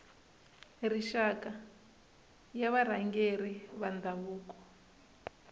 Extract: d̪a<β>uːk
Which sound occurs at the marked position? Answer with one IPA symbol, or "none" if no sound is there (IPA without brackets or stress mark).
β